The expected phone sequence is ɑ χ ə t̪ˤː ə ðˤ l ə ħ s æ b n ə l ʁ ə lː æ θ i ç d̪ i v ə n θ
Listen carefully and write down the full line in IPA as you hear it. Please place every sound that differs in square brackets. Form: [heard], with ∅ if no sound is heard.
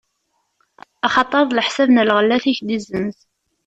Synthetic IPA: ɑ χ [ɑ] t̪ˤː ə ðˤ l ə ħ s æ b n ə l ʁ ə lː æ θ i ç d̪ i [z] ə n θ

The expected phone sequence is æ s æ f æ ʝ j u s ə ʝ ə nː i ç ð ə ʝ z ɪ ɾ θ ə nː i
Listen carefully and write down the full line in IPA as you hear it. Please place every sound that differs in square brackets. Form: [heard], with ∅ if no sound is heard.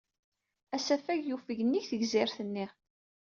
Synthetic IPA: æ s æ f æ ʝ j u [f] ə ʝ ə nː i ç [θ] ə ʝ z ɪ ɾ θ ə nː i

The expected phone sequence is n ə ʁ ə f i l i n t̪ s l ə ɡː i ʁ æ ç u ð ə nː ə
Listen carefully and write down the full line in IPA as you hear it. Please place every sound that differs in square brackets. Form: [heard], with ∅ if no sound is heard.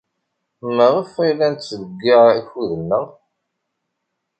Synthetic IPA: [m] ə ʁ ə f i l [æ] n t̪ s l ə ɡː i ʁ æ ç u ð ə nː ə

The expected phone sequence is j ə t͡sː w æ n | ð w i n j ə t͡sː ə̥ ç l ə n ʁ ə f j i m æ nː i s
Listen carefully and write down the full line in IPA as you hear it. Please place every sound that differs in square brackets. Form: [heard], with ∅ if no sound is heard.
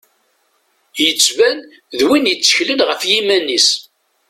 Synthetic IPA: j ə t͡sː [v] æ n | ð w i n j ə t͡sː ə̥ ç l ə n ʁ ə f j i m æ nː i s

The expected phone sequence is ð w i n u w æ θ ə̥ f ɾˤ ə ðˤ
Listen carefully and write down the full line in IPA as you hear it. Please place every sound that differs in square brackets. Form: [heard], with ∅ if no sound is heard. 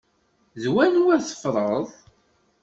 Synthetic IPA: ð w [æ] n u w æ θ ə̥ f ɾˤ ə ðˤ

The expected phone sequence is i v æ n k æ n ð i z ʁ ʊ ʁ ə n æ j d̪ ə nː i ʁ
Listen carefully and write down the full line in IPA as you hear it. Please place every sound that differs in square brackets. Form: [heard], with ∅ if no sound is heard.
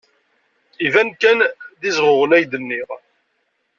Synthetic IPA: i v æ n k æ n ð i z ʁ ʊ ʁ ə n æ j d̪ ə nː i ʁ

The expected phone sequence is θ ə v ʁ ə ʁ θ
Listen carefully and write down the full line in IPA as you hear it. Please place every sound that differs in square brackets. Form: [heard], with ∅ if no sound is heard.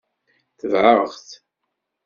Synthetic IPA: θ ə v [ʕ] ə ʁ θ

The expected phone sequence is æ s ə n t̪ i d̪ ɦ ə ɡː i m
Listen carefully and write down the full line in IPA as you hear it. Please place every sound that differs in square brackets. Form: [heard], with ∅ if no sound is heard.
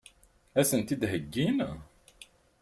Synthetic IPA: æ s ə n t̪ i d̪ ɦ ə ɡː i [n]

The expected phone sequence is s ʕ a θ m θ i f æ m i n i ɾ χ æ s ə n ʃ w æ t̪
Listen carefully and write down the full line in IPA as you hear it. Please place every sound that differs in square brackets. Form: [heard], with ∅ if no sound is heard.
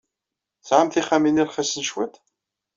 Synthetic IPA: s ʕ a [∅] m θ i [χ] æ m i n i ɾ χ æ s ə n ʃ w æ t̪

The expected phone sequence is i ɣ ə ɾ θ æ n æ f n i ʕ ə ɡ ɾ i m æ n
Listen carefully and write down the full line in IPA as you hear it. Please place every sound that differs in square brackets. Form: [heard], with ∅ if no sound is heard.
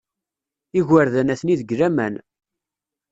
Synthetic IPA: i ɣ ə ɾ [ð] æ n æ [θ] n i [ð] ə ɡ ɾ [æ] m æ n

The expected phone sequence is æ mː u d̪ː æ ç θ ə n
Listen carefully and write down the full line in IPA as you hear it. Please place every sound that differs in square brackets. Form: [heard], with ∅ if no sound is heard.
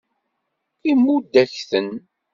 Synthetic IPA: [i] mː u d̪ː æ ç θ ə n

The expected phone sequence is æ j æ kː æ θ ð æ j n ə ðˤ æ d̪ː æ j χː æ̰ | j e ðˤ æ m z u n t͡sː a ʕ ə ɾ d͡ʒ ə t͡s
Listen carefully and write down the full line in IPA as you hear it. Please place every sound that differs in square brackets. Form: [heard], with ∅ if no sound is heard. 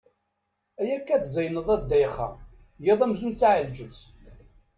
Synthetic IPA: æ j æ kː æ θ [z] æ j n ə ðˤ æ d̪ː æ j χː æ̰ | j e ðˤ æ m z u n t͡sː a ʕ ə [l] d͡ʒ ə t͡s

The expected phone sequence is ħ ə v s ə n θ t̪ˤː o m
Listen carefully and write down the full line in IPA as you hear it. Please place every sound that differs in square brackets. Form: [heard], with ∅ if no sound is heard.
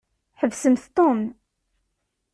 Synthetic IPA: ħ ə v s ə [m] θ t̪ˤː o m

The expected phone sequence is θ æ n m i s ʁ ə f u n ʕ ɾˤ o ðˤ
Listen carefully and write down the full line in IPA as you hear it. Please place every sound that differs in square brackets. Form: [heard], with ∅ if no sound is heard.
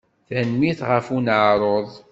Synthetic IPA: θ æ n m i [θ] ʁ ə f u n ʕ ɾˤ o ðˤ

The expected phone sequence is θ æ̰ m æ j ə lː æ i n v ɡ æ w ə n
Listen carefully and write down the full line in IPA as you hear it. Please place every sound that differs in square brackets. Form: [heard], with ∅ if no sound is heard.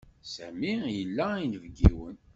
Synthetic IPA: [s] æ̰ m [i] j ə lː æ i n v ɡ [i] w ə n

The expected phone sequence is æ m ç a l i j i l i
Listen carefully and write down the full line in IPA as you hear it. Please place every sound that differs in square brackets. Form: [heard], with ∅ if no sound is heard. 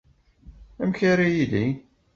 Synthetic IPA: æ m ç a [ɾ] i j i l i

